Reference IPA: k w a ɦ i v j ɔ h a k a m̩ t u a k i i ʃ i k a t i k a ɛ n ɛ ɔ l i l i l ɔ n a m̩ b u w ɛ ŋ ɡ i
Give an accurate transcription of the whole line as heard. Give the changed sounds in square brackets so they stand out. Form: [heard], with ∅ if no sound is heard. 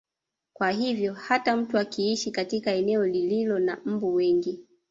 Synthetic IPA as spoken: k w a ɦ i v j ɔ h a [t] a m̩ t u a k i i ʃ i k a t i k a ɛ n ɛ ɔ l i l i l ɔ n a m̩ b u w ɛ ŋ ɡ i